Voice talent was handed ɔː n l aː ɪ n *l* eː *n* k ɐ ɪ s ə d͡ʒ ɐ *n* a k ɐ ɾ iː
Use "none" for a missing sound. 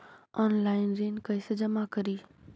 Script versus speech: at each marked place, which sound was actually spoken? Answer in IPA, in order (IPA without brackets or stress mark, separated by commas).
ɾ, n, m